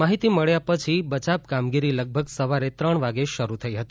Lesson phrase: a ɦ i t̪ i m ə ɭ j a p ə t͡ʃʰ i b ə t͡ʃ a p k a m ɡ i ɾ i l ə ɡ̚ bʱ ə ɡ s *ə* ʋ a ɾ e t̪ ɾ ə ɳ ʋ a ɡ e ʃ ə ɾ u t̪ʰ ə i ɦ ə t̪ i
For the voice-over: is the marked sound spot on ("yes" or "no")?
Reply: yes